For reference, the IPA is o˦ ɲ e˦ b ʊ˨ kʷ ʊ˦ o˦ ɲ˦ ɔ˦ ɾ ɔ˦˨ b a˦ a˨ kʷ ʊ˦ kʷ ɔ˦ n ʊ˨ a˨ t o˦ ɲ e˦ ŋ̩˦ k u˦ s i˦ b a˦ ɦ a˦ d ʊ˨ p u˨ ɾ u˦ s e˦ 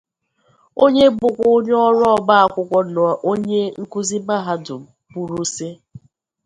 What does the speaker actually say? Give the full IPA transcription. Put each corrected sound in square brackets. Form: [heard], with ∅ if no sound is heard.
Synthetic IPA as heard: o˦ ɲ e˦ b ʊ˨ kʷ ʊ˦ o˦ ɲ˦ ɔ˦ ɾ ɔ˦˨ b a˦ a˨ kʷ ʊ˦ kʷ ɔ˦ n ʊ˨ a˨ [ʔ] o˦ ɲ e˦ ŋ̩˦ k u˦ [z] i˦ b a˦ ɦ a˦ d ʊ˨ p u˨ ɾ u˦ s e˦